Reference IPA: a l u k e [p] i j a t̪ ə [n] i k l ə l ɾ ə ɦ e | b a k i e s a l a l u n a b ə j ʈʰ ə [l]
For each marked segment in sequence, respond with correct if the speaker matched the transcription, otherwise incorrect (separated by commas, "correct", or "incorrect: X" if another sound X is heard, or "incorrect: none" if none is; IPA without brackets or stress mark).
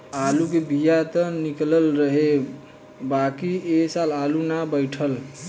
incorrect: b, correct, correct